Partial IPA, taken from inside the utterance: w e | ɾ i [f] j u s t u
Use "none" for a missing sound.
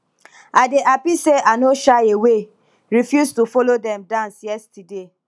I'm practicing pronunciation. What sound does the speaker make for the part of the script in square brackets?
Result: f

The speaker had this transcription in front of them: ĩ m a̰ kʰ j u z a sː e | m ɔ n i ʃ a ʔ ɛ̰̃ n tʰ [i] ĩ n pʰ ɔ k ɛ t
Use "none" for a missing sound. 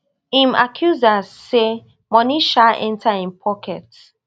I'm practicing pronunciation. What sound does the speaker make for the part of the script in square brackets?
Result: a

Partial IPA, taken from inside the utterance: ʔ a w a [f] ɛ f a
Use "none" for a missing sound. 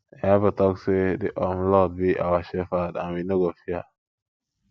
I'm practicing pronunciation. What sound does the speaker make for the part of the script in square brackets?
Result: ʃ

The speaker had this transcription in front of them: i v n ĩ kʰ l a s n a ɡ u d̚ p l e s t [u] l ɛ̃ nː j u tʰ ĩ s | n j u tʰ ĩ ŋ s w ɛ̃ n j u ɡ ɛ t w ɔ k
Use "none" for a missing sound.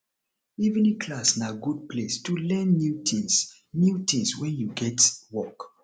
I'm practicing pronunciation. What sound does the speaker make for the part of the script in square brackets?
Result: u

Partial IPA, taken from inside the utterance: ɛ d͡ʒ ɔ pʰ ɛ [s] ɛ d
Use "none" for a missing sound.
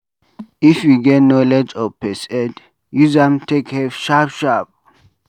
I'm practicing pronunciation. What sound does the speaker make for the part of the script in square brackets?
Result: s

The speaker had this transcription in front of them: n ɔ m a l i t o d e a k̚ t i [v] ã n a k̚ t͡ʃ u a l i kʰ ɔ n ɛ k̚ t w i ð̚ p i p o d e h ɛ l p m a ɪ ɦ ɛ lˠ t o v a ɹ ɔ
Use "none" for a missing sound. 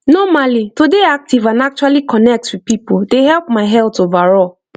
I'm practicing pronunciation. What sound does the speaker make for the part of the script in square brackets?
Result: v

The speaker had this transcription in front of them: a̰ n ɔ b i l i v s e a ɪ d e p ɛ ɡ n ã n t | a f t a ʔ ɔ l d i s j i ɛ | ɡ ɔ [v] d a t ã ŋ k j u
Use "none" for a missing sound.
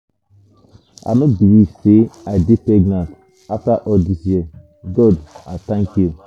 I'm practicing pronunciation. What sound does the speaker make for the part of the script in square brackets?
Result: none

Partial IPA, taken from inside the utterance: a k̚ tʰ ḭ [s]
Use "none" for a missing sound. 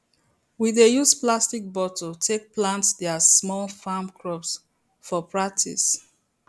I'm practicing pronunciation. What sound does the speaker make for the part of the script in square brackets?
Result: s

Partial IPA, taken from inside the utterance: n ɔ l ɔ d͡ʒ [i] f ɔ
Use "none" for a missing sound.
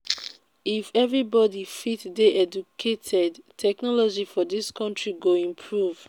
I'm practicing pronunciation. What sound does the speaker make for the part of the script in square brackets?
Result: i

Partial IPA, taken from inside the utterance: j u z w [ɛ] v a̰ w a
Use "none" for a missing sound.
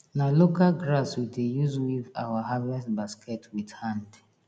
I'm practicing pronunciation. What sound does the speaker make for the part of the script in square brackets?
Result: i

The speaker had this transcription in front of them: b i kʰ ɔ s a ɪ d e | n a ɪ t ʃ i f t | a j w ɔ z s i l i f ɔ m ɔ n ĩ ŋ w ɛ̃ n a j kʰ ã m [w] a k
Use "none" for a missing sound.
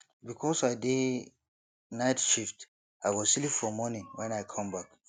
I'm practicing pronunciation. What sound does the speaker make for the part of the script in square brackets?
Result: b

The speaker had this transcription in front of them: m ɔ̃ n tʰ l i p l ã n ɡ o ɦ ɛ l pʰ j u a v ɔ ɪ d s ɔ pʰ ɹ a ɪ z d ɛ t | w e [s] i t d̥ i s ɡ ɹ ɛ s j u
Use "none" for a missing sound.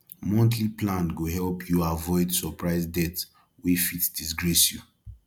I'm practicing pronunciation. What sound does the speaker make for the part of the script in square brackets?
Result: f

